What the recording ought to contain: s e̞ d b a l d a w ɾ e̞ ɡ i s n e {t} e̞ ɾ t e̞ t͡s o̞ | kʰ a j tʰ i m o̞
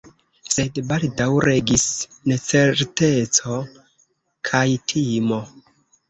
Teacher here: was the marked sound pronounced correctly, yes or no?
no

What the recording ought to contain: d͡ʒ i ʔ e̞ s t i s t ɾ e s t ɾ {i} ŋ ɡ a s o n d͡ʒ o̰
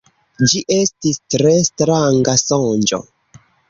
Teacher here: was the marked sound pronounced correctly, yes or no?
no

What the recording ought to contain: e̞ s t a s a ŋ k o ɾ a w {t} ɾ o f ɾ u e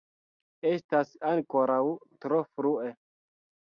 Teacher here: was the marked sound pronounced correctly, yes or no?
yes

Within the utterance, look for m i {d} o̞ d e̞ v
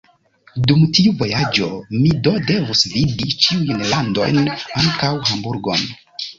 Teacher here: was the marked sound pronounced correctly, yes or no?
yes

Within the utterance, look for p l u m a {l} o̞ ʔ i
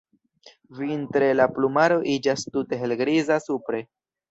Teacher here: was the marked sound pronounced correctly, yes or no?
no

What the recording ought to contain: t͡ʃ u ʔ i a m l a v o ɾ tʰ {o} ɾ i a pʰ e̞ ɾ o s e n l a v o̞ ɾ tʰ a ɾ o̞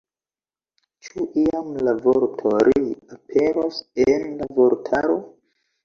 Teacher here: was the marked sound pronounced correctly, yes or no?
yes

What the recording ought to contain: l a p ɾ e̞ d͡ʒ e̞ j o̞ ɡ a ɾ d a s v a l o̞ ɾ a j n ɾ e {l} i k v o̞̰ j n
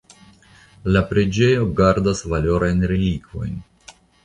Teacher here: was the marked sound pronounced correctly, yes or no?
yes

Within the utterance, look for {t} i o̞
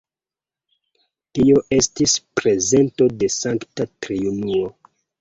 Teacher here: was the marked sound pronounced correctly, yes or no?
yes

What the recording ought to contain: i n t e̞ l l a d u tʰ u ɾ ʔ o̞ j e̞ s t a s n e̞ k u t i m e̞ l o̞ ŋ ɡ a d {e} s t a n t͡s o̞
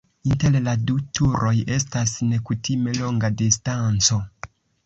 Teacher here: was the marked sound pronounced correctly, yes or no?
no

